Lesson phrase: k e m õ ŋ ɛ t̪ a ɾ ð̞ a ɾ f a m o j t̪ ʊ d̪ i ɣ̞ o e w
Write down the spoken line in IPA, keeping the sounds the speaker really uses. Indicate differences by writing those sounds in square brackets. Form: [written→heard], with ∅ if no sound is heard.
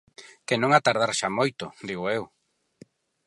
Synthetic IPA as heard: k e [m→n] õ ŋ [ɛ→a] t̪ a ɾ ð̞ a ɾ [f→ʃ] a m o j t̪ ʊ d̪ i ɣ̞ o e w